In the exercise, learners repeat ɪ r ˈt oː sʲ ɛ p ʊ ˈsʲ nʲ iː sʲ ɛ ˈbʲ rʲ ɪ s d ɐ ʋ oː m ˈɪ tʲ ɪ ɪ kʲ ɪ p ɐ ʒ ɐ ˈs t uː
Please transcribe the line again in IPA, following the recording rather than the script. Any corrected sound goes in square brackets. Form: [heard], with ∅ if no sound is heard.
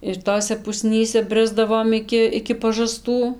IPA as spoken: ɪ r ˈt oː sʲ ɛ p ʊ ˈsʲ nʲ iː sʲ ɛ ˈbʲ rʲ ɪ [z] d ɐ ʋ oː m ˈɪ [kʲ] ɪ ɪ kʲ ɪ p ɐ ʒ ɐ ˈs t uː